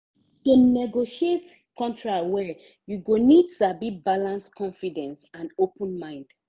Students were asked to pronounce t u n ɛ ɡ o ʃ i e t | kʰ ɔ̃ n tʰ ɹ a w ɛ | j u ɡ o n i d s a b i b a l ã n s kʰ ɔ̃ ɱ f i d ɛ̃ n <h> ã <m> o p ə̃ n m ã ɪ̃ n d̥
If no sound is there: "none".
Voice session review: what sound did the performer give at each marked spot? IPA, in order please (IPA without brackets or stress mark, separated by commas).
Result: s, n